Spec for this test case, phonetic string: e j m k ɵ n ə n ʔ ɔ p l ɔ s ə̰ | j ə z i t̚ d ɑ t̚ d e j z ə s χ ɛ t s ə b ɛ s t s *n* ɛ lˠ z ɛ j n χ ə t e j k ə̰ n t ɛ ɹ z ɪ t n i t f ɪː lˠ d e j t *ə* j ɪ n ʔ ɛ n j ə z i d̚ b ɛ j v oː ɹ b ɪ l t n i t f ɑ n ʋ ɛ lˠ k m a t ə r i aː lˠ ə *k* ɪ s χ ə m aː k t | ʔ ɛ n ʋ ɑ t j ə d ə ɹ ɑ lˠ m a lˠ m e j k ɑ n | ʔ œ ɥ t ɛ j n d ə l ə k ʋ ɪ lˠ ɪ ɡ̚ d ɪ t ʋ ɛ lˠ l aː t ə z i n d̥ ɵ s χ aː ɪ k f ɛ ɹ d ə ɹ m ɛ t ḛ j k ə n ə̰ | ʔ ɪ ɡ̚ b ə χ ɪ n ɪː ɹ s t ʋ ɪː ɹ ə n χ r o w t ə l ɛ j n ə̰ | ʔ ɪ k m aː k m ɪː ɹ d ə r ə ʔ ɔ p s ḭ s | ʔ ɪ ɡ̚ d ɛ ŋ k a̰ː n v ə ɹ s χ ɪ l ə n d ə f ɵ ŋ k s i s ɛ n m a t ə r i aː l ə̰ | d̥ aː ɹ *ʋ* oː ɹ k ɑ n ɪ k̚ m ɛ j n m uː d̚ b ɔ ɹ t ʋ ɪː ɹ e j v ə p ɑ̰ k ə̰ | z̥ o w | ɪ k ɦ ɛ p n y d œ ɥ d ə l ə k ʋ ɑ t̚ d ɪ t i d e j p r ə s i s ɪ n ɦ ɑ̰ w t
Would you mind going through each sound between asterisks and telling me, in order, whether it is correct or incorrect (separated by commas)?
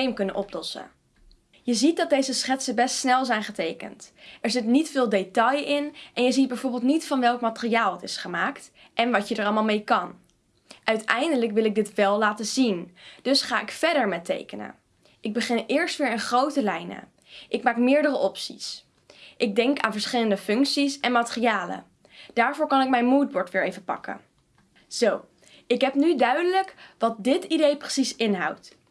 correct, incorrect, incorrect, incorrect